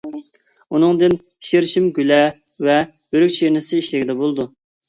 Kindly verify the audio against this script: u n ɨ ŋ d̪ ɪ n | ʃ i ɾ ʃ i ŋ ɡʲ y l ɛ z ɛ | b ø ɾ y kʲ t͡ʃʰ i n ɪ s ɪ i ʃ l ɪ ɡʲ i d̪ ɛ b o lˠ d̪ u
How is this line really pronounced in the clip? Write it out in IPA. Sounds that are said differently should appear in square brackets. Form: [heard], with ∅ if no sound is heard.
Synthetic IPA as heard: u n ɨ ŋ d̪ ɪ n | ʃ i ɾ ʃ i [m] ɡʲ y l ɛ [v] ɛ | b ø ɾ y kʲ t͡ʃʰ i n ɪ s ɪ i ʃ l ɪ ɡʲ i d̪ ɛ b o lˠ d̪ u